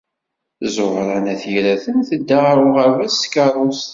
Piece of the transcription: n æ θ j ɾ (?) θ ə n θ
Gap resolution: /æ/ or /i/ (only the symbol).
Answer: æ